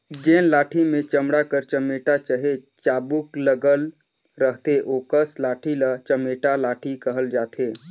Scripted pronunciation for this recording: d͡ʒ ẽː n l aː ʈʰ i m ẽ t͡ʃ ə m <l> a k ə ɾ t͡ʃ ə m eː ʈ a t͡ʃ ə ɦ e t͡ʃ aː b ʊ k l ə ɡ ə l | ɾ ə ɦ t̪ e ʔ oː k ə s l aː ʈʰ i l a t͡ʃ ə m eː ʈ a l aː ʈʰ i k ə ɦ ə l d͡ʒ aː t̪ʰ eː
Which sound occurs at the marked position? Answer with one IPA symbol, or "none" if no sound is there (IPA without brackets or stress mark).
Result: ɽ